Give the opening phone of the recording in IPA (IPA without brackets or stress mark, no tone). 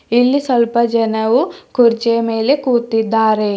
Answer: i